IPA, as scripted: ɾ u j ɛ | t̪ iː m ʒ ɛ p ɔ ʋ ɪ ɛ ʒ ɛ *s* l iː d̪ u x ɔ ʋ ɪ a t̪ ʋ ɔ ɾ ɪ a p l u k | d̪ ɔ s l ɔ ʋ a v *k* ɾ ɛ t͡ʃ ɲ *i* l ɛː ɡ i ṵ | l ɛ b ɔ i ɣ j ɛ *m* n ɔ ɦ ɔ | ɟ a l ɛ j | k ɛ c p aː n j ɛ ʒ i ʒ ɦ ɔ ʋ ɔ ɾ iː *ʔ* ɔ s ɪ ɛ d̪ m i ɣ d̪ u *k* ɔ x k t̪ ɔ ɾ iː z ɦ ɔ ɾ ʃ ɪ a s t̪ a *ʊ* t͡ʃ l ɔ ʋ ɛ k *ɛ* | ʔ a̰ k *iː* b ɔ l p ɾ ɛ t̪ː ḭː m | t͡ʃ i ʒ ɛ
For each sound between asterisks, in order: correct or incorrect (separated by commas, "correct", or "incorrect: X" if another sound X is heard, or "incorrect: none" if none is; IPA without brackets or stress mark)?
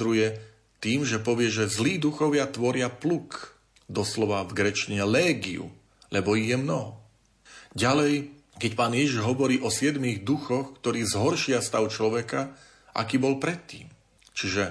incorrect: z, incorrect: ɡ, incorrect: ɛ, correct, correct, incorrect: x, correct, incorrect: a, correct